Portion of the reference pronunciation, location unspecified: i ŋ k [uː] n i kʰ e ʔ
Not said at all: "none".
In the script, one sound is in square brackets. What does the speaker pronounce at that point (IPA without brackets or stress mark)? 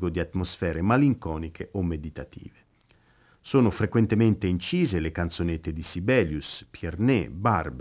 ɔː